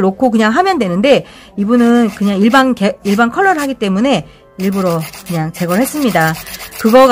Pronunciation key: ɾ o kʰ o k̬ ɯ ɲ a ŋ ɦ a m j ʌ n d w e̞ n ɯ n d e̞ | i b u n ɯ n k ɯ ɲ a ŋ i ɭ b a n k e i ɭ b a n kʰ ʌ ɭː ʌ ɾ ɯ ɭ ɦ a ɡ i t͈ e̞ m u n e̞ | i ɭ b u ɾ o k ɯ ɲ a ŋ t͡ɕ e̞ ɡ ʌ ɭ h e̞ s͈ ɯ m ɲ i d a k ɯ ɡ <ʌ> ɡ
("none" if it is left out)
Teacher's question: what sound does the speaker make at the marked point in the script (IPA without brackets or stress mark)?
ʌ